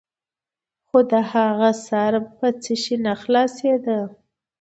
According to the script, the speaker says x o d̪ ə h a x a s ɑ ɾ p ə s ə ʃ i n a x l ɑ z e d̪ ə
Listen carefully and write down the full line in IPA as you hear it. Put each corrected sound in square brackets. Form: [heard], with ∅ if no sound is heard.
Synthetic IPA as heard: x o d̪ ə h a [ɣ] a s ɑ ɾ p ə [t͡s] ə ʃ i n a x l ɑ [s] e d̪ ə